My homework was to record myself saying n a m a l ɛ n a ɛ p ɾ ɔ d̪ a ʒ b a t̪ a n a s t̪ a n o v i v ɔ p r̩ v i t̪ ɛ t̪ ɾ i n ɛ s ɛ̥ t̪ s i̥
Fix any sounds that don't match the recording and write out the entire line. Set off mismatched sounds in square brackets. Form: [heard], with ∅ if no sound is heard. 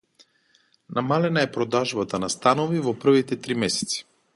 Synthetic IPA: n a m a l ɛ n a ɛ p ɾ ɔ d̪ a ʒ b a t̪ a n a s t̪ a n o v i v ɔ p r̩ v i t̪ ɛ t̪ ɾ i [m] ɛ s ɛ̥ t̪ s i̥